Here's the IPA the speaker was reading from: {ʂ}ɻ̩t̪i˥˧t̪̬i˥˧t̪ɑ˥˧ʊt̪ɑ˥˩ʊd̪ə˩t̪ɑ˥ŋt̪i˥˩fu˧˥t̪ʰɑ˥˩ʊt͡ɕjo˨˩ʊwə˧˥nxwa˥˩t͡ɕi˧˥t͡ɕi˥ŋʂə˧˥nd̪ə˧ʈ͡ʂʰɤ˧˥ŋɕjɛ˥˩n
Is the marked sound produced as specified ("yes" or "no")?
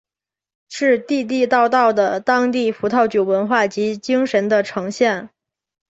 yes